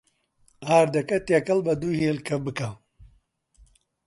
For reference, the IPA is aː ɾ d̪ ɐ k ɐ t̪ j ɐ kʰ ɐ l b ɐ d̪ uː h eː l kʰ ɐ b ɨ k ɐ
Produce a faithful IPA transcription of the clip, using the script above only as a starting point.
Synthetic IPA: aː ɾ d̪ ɐ k ɐ t̪ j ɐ k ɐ l b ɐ d̪ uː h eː l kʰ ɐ b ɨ k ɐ